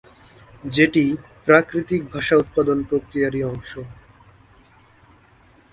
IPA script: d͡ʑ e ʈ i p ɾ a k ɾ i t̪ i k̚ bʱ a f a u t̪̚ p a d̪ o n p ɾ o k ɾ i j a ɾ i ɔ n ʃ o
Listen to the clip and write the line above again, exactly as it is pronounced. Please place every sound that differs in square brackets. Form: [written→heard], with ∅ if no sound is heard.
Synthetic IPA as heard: d͡ʑ e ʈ i p ɾ a k ɾ i t̪ i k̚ bʱ a [f→ʃ] a u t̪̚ p a d̪ o n p ɾ o k ɾ i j a ɾ i ɔ [n→ŋ] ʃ o